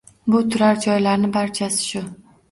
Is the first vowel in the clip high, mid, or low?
high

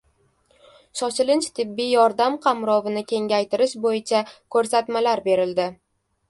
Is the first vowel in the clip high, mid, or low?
low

